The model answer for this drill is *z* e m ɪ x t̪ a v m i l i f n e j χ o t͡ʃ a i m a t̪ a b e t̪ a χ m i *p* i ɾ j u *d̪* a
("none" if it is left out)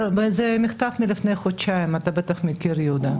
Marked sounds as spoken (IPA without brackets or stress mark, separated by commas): z, k, d̪